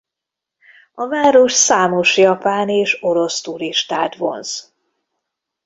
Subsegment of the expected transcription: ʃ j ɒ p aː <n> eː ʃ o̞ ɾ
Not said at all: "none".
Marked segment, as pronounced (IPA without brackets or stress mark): n